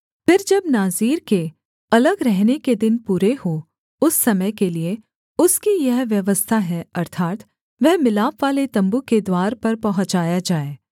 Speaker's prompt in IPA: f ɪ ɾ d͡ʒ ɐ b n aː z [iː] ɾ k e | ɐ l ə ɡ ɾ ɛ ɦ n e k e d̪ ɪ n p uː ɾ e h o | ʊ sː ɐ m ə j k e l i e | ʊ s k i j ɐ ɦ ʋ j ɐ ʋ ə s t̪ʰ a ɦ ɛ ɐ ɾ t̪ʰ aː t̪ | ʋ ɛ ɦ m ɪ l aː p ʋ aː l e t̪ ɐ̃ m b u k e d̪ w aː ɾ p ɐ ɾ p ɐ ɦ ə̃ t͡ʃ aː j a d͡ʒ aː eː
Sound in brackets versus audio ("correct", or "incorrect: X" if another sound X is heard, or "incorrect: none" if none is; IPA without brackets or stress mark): correct